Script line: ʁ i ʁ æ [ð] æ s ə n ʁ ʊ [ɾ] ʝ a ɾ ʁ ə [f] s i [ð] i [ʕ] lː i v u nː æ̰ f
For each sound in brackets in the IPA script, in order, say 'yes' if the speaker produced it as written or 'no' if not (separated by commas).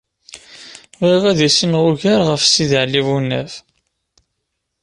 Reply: yes, no, yes, yes, yes